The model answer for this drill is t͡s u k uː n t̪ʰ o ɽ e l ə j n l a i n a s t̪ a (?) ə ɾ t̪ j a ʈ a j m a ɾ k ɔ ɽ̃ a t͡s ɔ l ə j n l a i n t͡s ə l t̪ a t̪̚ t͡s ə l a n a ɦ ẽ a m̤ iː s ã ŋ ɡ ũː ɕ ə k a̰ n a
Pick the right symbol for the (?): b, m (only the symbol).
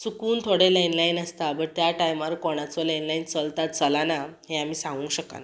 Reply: b